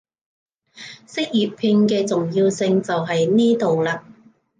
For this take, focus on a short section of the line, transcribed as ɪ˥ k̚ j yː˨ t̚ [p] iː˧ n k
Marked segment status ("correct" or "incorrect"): incorrect